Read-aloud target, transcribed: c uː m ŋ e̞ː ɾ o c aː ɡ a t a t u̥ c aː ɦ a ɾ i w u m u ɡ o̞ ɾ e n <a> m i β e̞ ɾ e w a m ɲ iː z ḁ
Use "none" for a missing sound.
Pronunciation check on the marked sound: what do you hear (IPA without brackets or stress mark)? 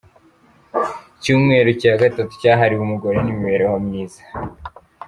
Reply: i